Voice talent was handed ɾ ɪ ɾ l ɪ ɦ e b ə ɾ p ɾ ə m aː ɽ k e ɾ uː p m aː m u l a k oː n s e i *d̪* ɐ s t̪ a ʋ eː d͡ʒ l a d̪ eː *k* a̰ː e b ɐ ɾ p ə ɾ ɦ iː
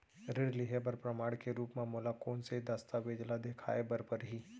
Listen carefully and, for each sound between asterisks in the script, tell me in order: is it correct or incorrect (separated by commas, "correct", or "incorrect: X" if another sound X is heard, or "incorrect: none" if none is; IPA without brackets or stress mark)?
correct, incorrect: kʰ